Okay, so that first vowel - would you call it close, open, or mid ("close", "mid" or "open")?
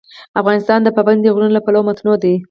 open